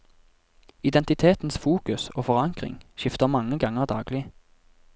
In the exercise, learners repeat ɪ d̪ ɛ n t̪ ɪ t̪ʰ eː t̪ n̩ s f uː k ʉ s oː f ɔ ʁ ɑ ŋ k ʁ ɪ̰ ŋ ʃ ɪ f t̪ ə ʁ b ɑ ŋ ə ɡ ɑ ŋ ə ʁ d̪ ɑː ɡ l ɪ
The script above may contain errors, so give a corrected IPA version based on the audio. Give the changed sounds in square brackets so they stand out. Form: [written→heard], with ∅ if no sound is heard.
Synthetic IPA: ɪ d̪ ɛ n t̪ ɪ t̪ʰ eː t̪ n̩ s f uː k ʉ s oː f ɔ ʁ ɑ ŋ k ʁ ɪ̰ ŋ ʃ ɪ f t̪ ə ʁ [b→m] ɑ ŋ ə ɡ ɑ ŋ ə ʁ d̪ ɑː ɡ l ɪ